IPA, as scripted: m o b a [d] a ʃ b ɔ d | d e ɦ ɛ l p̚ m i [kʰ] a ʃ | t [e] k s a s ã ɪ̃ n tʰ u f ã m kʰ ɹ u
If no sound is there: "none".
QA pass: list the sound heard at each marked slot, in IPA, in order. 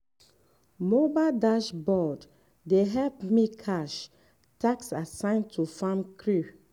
d, kʰ, a

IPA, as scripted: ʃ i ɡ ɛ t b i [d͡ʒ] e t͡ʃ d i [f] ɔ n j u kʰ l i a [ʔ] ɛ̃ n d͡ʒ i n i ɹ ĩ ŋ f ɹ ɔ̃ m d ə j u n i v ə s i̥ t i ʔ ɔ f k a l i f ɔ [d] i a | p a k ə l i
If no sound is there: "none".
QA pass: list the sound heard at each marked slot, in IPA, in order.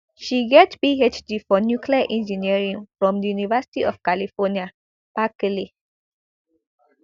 none, f, ʔ, n

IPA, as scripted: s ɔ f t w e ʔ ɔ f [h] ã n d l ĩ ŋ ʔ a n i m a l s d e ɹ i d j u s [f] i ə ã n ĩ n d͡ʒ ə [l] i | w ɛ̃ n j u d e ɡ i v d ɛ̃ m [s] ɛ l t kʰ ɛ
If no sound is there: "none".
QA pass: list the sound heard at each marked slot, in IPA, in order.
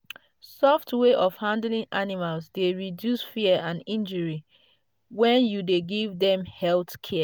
h, f, ɹ, h

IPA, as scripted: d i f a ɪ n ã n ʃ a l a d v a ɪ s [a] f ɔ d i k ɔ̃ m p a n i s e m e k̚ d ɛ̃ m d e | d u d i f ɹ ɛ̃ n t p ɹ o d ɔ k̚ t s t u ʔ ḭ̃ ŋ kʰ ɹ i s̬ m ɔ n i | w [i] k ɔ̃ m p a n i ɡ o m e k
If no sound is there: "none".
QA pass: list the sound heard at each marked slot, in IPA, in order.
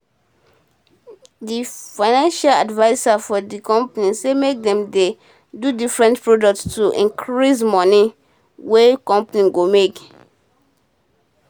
a, e

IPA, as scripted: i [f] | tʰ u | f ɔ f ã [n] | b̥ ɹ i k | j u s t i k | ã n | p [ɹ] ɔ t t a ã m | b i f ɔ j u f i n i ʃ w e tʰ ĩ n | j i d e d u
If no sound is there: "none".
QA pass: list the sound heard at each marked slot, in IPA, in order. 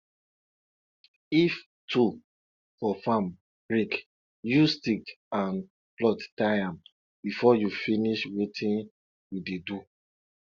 f, m, l

